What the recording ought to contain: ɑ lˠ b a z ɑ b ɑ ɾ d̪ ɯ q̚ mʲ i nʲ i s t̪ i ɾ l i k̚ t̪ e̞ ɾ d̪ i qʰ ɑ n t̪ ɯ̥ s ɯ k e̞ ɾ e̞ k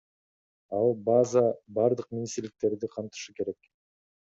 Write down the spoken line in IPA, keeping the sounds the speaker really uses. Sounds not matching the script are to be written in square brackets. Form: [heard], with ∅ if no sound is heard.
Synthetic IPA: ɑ lˠ b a z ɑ b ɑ ɾ d̪ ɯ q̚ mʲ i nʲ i s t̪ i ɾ l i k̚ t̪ e̞ ɾ d̪ i qʰ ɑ n t̪ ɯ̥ [ʃ] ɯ k e̞ ɾ e̞ k